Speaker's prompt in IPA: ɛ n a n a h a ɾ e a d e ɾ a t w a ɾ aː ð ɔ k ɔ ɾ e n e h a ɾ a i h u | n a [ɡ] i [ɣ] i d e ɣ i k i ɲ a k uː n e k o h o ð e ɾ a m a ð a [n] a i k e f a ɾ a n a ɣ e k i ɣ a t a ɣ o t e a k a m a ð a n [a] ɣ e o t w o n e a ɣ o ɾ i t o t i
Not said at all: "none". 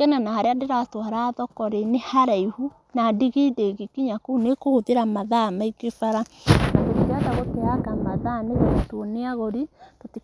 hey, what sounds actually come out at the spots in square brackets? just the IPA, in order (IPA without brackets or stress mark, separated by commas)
d, ɣ, m, e